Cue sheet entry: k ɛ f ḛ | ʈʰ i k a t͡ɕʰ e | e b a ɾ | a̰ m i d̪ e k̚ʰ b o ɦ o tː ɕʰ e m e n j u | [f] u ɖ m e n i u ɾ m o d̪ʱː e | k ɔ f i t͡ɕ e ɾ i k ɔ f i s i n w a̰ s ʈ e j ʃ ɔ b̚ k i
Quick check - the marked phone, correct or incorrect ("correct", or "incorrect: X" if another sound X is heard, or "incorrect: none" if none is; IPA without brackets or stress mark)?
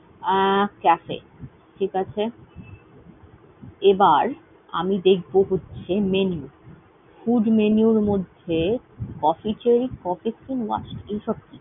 correct